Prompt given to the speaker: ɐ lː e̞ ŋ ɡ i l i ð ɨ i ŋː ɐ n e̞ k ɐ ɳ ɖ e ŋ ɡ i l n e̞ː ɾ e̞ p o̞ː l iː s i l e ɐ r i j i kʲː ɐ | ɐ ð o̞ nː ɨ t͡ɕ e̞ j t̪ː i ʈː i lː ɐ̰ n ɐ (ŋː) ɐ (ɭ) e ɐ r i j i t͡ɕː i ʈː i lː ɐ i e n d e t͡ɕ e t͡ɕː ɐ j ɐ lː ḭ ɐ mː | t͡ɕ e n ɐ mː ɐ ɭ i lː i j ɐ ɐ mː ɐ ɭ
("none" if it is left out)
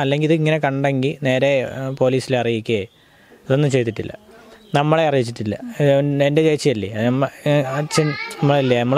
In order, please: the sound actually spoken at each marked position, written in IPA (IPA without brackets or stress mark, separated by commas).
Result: mː, ɭ